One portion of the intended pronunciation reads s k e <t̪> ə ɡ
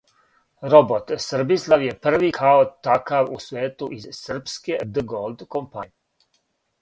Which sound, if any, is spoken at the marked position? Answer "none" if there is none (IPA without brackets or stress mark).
d̪